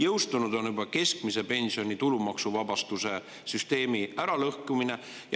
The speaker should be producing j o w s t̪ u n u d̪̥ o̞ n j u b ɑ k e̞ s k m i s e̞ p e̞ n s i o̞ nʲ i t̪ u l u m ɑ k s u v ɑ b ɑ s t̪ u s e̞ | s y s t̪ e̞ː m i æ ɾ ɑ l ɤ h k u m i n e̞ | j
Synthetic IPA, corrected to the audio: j ɤ w s t̪ u n u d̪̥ o̞ n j u b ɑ k e̞ s k m i s e̞ p e̞ n s i o̞ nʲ i t̪ u l u m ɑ k s u v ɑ b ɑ s t̪ u s e̞ | s y s t̪ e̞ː m i æ ɾ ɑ l ɤ h k u m i n e̞ | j